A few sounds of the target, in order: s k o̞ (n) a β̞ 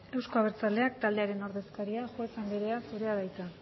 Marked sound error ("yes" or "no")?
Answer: yes